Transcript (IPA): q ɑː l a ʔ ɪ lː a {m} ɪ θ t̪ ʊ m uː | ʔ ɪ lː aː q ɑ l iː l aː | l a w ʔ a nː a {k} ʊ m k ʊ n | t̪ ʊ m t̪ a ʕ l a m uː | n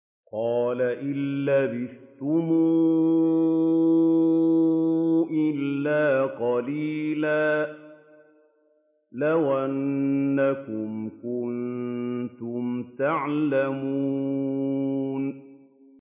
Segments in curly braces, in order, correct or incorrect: incorrect: b, correct

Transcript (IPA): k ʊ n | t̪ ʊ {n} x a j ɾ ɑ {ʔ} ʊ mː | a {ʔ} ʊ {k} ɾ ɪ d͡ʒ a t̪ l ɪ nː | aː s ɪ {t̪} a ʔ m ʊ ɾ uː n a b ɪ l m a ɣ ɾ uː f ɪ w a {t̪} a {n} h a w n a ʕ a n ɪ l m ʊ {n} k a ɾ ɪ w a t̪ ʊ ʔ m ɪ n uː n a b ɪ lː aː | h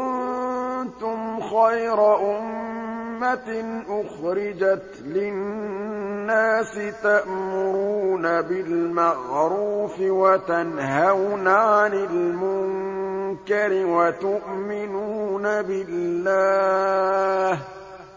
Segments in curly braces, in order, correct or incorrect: incorrect: m, correct, correct, incorrect: x, correct, correct, correct, incorrect: ŋ

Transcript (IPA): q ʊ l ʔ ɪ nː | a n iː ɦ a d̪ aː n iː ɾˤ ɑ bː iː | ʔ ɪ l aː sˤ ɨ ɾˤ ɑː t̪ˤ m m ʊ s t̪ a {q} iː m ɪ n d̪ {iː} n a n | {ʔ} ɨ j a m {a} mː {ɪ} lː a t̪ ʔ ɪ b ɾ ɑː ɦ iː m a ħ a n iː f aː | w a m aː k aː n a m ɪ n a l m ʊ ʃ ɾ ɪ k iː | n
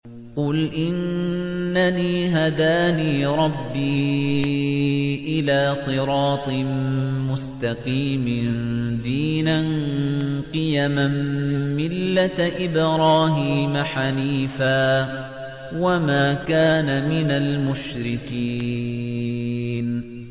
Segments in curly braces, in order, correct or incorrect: correct, correct, incorrect: q, correct, correct

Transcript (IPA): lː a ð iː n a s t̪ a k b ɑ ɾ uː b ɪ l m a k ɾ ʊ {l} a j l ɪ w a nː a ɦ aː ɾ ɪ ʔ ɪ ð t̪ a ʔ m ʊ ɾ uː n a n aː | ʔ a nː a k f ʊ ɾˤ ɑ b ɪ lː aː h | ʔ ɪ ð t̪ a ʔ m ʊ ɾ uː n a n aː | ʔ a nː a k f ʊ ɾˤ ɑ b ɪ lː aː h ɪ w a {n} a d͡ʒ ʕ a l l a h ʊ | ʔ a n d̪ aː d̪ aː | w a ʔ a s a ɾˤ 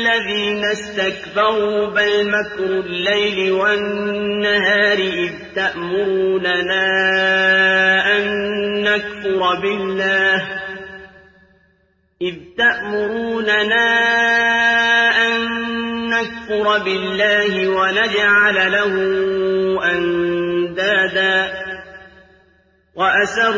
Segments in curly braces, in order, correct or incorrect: incorrect: lː, correct

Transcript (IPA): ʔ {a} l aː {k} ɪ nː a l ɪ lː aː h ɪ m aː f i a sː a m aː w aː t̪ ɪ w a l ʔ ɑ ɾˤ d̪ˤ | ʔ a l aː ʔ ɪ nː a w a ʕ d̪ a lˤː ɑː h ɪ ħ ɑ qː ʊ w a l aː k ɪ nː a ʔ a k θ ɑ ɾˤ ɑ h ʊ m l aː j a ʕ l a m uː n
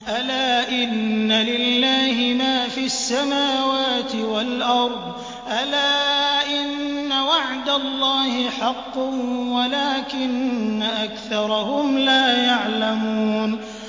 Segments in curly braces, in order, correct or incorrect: correct, incorrect: ʔ

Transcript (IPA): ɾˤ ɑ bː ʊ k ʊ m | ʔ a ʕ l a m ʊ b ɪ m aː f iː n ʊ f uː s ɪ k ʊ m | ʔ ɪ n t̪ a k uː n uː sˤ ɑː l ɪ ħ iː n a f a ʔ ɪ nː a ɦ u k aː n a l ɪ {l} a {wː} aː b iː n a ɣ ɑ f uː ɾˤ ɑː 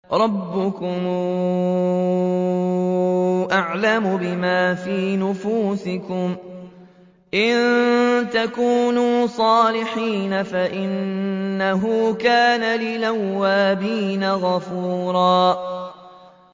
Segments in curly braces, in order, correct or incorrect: correct, correct

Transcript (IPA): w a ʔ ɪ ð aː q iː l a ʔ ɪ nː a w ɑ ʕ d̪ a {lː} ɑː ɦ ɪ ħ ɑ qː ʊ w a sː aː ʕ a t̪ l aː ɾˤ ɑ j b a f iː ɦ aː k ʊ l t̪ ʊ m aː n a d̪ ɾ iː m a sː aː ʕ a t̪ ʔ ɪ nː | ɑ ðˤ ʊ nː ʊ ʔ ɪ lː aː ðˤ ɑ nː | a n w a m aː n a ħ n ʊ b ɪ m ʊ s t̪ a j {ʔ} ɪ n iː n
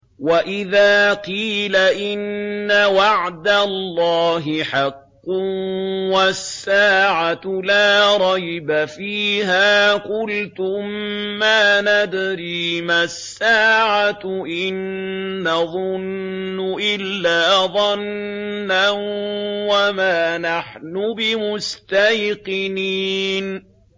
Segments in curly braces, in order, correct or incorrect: correct, incorrect: q

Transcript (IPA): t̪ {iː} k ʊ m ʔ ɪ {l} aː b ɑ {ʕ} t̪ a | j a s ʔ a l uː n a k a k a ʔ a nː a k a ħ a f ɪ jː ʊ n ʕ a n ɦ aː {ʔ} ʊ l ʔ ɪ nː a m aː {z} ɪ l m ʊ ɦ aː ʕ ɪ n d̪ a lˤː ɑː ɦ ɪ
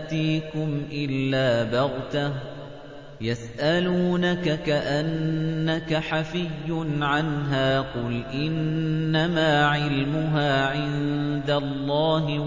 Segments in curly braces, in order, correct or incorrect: correct, incorrect: lː, incorrect: ɣ, incorrect: q, incorrect: ʕ

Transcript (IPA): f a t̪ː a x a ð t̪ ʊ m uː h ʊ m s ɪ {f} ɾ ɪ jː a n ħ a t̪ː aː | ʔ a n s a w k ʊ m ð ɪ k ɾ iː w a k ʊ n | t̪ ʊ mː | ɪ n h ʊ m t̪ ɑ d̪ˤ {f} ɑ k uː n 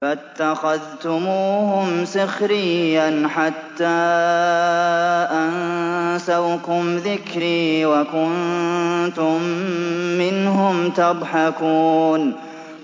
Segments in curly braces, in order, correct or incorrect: incorrect: x, incorrect: ħ

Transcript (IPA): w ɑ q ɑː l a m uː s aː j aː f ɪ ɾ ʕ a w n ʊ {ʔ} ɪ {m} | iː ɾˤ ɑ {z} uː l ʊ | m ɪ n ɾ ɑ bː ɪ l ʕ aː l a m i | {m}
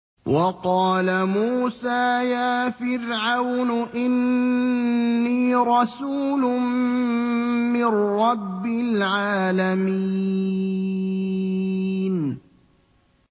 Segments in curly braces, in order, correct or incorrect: correct, incorrect: n, incorrect: s, incorrect: n

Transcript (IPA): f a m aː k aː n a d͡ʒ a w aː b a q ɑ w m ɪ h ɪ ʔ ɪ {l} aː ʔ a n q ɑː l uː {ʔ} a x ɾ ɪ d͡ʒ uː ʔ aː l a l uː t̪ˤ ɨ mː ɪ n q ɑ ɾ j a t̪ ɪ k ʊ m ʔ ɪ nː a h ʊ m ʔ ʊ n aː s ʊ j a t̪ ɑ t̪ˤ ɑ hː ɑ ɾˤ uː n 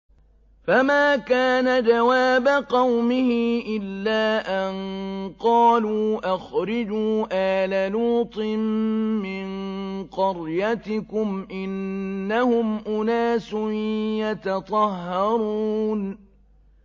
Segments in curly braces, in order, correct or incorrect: incorrect: lː, correct

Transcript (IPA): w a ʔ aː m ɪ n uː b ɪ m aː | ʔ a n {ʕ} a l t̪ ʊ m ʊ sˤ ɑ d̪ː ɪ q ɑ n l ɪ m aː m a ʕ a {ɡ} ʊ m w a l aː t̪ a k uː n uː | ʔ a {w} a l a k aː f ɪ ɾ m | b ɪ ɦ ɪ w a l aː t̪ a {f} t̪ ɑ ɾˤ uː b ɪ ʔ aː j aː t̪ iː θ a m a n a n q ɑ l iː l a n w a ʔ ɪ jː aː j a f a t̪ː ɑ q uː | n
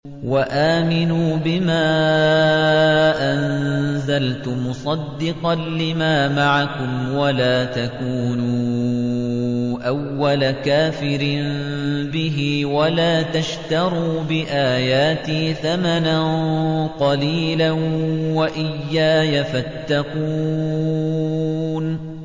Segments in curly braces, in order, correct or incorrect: incorrect: z, incorrect: k, incorrect: wː, incorrect: ʃ

